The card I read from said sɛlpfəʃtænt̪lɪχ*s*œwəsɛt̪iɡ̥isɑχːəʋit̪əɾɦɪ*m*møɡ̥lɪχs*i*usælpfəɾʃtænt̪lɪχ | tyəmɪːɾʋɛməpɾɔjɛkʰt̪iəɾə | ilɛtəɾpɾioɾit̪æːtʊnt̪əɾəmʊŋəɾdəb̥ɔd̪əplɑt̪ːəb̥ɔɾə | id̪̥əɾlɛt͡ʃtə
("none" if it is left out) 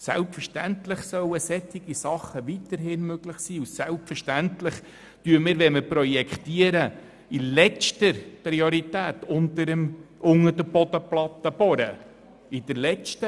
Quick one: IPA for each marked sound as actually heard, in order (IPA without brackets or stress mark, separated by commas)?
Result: s, n, iː